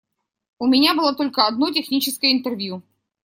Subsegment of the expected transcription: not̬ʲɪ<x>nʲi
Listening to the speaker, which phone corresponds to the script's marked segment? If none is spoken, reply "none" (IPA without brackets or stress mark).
x